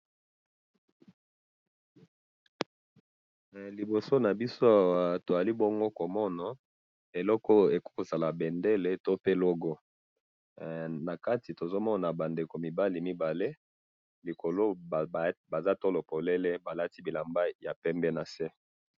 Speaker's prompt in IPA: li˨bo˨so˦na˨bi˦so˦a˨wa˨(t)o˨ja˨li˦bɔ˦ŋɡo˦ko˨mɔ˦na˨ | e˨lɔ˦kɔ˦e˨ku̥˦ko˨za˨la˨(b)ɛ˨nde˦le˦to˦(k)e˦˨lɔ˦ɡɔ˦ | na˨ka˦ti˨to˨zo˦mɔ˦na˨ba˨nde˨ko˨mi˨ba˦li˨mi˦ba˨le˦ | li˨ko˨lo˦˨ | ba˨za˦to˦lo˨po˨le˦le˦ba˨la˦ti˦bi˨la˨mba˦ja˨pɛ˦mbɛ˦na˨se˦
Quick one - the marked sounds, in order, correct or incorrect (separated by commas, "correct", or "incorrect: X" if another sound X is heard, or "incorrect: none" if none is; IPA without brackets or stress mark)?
correct, correct, incorrect: p